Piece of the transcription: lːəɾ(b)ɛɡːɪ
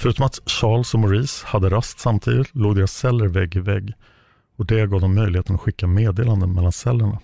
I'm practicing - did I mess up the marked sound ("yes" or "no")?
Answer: yes